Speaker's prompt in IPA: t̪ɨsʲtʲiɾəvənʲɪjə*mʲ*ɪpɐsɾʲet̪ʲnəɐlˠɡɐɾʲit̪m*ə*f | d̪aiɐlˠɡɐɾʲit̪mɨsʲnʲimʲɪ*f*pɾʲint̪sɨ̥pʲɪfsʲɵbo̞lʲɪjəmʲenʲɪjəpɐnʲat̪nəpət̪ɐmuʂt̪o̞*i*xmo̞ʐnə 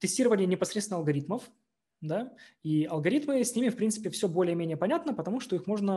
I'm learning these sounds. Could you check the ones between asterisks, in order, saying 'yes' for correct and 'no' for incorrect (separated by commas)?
no, yes, yes, yes